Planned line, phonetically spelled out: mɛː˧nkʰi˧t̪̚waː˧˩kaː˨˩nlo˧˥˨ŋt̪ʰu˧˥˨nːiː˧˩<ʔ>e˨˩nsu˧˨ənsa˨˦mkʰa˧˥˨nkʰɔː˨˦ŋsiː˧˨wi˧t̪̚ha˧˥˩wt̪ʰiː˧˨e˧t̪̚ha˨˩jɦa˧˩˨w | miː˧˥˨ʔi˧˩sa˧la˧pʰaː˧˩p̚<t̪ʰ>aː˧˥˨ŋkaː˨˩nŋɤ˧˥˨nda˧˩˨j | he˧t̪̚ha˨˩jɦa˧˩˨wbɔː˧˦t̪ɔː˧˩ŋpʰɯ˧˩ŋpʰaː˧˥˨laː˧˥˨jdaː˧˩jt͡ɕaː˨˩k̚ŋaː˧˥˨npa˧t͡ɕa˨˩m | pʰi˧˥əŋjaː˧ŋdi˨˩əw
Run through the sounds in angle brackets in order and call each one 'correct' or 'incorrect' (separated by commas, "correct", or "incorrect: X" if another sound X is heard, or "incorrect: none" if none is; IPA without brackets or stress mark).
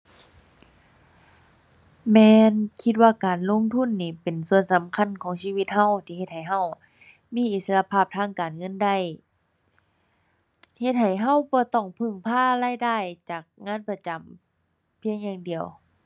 incorrect: p, correct